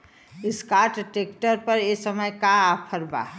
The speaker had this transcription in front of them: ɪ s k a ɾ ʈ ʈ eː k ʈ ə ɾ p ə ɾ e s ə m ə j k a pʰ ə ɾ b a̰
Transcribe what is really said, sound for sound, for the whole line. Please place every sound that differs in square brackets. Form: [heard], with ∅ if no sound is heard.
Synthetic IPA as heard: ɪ s k a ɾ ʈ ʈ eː k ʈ ə ɾ p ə ɾ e s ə m ə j k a pʰ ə ɾ b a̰